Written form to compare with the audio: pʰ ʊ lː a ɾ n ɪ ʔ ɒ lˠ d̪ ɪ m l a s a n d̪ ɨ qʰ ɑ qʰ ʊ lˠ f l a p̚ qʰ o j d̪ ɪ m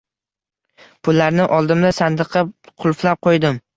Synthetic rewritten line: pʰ ʊ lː a ɾ n ɪ ʔ ɒ lˠ d̪ ɪ m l a s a n d̪ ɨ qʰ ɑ qʰ ʊ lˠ f l a p̚ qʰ o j d̪ ɪ m